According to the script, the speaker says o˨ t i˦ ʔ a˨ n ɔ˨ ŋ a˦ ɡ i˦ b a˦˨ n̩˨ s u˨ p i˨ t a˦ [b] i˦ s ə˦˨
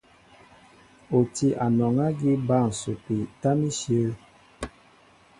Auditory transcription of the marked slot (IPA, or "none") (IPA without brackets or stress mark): m